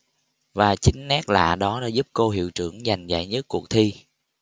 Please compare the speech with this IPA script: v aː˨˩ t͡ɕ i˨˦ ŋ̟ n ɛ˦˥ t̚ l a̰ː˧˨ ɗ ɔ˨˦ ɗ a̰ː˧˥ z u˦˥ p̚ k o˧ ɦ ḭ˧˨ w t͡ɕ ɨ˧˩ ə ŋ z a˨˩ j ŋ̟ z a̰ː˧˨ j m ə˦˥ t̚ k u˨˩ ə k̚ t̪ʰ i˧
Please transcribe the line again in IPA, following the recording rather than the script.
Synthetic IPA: v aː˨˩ t͡ɕ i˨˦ ŋ̟ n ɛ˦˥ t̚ l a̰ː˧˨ ɗ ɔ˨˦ ɗ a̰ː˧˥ z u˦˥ p̚ k o˧ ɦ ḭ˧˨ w t͡ɕ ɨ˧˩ ə ŋ z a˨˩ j ŋ̟ z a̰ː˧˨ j ɲ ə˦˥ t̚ k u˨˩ ə k̚ t̪ʰ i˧